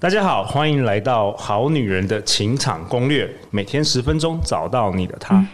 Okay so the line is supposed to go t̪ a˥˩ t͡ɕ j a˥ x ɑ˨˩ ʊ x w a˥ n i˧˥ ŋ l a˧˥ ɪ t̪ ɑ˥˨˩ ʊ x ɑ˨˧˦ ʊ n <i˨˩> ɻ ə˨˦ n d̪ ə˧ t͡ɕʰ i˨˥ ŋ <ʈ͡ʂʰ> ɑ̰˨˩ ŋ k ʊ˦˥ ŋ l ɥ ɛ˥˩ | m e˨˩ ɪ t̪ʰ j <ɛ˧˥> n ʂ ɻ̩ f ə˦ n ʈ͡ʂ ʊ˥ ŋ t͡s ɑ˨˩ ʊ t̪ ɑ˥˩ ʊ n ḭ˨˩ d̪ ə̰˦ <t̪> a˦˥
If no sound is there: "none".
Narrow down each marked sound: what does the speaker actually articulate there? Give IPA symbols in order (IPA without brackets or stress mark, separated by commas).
y˨˩, ʈ͡ʂʰ, ɛ˥, t̪ʰ